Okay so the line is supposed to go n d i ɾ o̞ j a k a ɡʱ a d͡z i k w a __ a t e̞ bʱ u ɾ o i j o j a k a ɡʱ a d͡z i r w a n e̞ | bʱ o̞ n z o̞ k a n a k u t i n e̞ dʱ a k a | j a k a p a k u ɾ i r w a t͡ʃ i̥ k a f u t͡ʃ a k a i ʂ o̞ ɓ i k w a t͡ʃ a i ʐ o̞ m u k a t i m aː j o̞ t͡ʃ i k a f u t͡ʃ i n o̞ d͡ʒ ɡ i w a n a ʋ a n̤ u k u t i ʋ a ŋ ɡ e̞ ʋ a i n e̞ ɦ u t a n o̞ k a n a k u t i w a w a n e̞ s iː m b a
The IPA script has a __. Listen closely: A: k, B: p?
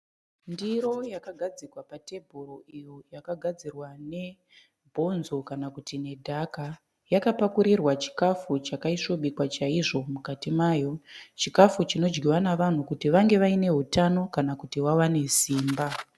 B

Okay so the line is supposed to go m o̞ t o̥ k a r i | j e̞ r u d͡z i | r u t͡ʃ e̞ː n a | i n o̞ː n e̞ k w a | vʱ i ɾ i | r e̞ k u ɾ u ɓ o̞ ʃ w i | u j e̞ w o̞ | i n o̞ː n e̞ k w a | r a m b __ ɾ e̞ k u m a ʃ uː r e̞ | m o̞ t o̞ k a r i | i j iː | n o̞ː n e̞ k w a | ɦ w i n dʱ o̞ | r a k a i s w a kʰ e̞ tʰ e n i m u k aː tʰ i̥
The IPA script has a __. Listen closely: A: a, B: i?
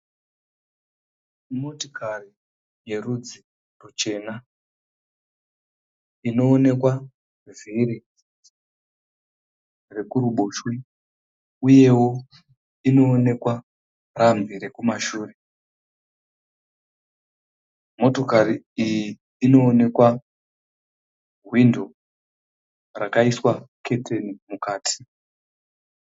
B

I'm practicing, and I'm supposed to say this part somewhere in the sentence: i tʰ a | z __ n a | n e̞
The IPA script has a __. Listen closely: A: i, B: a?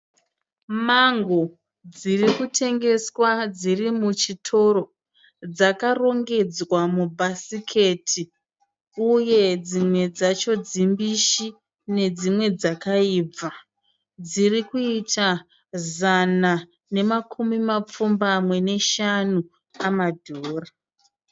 B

